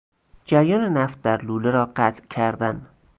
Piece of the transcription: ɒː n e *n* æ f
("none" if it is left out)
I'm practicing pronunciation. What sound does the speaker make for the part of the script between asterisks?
n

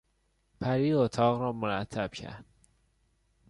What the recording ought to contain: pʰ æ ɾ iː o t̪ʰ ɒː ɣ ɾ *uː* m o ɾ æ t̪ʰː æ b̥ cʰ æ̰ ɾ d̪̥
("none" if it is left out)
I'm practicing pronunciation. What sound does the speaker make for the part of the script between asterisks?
ɒː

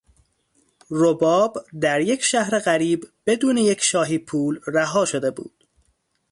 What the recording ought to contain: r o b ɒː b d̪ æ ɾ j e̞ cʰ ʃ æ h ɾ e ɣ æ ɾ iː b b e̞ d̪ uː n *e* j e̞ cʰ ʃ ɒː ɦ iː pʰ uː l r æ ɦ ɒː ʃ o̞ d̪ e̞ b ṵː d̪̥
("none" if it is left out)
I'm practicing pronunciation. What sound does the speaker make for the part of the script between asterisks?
e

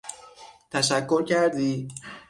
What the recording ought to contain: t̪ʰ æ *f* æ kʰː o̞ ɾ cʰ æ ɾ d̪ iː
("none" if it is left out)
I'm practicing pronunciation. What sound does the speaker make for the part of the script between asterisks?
ʃ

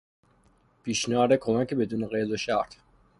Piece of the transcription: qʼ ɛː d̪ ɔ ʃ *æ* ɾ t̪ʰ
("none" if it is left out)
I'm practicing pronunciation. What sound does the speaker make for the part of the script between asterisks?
a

